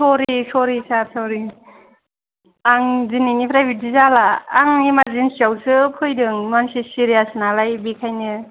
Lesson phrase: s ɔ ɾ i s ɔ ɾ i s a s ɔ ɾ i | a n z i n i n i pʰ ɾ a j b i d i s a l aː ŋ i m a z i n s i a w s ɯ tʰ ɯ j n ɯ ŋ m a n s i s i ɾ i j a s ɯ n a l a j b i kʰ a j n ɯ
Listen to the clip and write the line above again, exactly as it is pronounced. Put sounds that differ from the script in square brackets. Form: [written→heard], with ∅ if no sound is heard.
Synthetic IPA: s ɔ ɾ i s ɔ ɾ i s a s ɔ ɾ i | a [n→ŋ] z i n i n i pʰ ɾ a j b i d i [s→z] a l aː ŋ i m a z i n s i a w s ɯ [tʰ→pʰ] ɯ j [n→d] ɯ ŋ m a n s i s i ɾ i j a s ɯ n a l a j b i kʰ a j n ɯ